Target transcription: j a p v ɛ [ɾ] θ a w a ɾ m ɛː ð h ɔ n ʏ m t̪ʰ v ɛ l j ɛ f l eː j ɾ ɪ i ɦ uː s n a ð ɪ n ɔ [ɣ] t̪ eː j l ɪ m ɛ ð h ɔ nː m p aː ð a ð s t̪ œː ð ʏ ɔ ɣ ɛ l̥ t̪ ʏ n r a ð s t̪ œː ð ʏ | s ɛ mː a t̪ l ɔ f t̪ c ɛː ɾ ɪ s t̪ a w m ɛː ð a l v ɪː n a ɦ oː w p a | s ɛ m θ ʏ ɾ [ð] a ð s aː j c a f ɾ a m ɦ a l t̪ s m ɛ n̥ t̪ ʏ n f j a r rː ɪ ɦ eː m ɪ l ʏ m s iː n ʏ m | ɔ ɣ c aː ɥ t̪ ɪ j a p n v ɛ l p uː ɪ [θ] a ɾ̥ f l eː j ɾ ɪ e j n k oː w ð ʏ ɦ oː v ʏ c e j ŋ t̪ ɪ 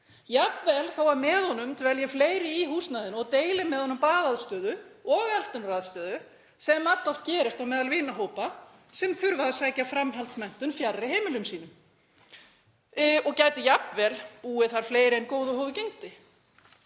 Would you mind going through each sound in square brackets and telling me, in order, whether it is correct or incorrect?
incorrect, correct, incorrect, correct

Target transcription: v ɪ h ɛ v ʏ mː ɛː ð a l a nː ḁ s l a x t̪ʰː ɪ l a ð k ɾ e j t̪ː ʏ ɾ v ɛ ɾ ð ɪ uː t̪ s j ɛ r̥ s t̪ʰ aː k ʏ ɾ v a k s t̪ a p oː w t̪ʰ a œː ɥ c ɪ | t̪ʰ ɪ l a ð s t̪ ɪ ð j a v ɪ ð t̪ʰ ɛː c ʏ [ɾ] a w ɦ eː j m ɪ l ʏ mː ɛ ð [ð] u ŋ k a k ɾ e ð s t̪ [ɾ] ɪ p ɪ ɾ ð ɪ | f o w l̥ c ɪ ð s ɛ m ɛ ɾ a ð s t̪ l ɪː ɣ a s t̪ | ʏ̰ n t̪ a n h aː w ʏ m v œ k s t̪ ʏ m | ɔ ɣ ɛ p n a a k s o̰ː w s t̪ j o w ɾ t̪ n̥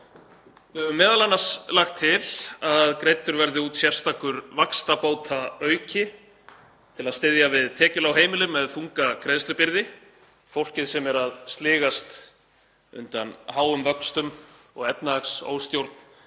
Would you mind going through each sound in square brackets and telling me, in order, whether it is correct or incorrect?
incorrect, incorrect, correct

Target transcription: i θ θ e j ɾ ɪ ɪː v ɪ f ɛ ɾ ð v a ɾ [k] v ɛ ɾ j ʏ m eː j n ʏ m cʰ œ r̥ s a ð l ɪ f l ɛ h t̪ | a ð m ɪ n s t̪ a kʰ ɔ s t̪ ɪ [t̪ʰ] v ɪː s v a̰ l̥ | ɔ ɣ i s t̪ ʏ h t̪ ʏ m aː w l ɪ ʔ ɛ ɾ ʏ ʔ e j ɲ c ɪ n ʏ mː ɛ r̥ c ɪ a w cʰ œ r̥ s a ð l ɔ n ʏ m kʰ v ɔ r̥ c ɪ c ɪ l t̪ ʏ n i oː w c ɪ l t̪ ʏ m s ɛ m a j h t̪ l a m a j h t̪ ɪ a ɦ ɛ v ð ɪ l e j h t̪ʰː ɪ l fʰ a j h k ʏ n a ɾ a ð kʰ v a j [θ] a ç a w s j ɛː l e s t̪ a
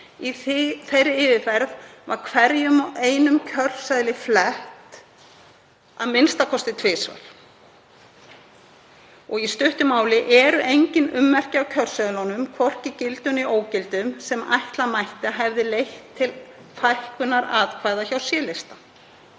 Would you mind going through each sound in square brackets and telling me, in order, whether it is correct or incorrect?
incorrect, correct, incorrect

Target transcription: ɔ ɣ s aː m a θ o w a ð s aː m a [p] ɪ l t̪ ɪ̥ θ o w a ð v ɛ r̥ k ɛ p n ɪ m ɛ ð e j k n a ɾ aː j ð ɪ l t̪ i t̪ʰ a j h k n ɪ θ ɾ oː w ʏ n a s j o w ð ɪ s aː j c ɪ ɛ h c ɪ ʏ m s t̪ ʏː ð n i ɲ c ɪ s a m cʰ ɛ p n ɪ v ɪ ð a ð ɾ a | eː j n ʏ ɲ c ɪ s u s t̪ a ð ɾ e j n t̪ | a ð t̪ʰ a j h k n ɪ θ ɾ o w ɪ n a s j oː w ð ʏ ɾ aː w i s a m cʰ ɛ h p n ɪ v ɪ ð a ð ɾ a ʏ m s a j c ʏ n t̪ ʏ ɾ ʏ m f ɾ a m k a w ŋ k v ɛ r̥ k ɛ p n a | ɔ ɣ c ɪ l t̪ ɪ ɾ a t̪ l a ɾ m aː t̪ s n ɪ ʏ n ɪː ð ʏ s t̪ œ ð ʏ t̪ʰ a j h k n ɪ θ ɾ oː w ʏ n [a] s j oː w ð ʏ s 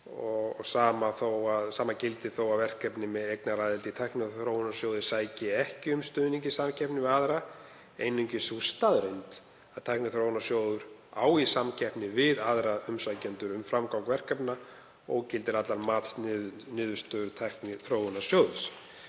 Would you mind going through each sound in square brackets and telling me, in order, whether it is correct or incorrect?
incorrect, correct

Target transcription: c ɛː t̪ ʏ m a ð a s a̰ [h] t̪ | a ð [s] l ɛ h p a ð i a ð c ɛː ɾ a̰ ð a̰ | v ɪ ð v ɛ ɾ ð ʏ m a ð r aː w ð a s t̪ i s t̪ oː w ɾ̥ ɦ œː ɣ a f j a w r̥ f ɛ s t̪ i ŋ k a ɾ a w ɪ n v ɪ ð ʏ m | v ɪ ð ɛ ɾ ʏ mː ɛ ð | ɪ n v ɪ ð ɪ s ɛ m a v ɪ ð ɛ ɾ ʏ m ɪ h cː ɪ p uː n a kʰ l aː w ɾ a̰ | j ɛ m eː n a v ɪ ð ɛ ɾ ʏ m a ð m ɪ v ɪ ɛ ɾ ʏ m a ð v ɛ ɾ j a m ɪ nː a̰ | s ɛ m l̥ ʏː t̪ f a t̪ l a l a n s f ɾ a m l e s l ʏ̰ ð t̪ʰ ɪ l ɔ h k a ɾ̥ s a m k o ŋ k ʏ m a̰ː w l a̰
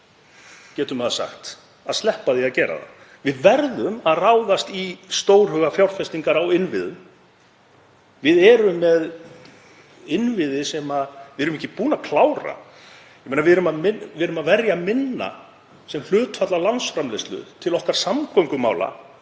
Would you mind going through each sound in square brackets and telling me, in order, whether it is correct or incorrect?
incorrect, correct

